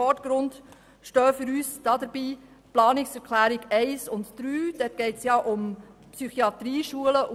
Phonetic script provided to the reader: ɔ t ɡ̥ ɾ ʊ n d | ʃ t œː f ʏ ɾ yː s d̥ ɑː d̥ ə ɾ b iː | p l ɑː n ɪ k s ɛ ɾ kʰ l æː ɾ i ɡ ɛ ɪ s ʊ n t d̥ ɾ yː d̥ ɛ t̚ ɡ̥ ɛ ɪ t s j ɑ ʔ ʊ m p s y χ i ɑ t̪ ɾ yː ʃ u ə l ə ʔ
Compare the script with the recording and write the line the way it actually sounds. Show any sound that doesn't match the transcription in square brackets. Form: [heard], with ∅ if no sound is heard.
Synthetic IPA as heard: ɔ t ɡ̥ ɾ ʊ n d | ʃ t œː f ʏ ɾ yː s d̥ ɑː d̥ ə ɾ b iː | p l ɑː n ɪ k s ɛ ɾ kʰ l æː ɾ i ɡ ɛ ɪ s ʊ n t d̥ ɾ yː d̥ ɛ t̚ ɡ̥ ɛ ɪ t s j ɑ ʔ ʊ m p s y χ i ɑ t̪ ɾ [iː] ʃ u ə l ə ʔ

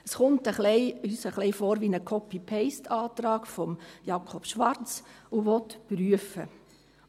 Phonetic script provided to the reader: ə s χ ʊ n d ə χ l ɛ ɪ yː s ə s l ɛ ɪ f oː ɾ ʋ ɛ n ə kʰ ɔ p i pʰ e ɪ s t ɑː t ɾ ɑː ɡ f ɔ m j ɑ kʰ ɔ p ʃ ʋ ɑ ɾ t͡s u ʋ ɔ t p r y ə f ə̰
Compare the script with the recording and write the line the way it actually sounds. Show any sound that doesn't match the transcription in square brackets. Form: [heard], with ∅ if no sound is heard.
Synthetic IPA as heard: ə s χ ʊ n [t] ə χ l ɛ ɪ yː s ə [χ] l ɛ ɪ f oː ɾ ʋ [i] n ə kʰ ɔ p i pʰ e ɪ s t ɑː t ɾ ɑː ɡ f ɔ m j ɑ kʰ ɔ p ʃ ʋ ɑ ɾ t͡s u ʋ ɔ t p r y ə f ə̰

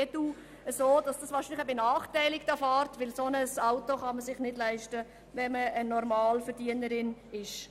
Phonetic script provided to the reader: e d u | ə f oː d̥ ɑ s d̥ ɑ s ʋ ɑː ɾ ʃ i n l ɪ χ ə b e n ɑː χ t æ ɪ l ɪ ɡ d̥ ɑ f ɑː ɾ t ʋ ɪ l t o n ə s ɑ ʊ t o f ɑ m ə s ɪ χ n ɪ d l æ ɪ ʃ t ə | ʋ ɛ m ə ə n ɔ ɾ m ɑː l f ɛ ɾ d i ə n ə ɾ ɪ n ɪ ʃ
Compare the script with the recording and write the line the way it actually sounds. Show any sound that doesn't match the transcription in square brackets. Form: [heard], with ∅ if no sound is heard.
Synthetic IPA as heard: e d u | ə [s] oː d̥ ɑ s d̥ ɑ s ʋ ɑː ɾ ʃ i n l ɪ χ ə b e n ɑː χ t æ ɪ l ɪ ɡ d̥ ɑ f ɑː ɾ t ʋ ɪ l [s] o n ə s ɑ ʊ t o [χ] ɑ m ə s ɪ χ n ɪ d l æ ɪ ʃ t ə | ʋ ɛ m ə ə n ɔ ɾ m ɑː l f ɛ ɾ d i ə n ə ɾ ɪ n ɪ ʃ

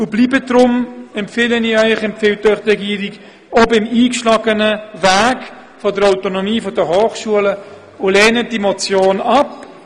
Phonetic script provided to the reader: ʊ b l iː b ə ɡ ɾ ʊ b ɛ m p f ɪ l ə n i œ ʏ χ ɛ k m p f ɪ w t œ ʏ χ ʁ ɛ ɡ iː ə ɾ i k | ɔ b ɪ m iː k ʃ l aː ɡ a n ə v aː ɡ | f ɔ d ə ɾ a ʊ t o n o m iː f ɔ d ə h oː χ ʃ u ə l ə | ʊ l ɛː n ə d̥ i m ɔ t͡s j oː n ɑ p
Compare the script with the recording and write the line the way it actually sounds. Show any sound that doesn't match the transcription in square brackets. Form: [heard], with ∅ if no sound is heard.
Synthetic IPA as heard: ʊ b l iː b ə [d] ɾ ʊ [m] ɛ m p f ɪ l ə n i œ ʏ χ ɛ [∅] m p f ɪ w t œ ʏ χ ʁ ɛ ɡ iː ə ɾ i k | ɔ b ɪ m iː k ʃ l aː ɡ [ə] n ə v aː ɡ | f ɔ d ə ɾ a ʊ t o n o m iː f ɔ d ə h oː χ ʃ u ə l ə | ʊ l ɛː n ə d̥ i m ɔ t͡s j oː n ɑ p

